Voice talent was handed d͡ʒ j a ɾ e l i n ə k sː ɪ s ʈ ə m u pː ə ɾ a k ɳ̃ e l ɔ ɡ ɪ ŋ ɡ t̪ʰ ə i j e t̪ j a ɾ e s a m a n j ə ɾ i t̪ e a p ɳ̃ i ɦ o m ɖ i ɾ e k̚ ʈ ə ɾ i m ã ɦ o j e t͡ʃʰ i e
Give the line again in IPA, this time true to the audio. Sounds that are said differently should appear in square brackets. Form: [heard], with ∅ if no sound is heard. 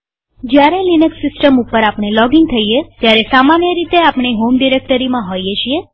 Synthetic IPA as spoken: d͡ʒ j a ɾ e l i n ə k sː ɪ s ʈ ə m u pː ə ɾ a [p] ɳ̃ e l ɔ ɡ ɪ ŋ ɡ t̪ʰ ə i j e t̪ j a ɾ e s a m a n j ə ɾ i t̪ e a p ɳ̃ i ɦ o m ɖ i ɾ e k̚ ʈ ə ɾ i m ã ɦ o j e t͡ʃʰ i e